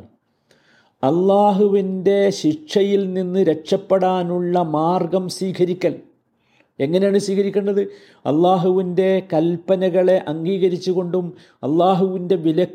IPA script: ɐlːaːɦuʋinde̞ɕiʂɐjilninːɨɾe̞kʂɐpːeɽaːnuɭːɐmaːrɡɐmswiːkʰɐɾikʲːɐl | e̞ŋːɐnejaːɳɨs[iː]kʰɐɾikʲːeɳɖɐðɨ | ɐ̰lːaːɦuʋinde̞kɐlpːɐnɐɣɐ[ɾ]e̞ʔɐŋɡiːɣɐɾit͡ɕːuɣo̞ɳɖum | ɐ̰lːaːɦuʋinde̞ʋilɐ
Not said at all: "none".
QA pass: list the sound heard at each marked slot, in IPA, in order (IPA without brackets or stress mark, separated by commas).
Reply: iː, ɭ